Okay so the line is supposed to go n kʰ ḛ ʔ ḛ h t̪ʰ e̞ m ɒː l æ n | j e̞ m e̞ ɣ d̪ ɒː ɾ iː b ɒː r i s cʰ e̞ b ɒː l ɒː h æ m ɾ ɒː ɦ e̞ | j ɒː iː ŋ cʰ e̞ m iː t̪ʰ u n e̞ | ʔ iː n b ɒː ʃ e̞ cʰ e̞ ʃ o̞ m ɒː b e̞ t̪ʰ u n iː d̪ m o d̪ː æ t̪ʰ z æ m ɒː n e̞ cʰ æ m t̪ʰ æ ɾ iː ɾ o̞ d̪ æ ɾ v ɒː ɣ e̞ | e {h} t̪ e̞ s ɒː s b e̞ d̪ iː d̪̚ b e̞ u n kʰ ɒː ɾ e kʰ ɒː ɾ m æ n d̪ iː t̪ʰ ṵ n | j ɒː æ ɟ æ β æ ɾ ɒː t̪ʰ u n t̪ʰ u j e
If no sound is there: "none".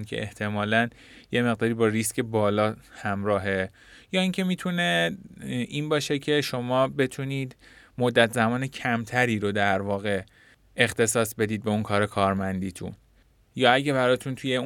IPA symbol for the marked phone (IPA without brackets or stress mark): x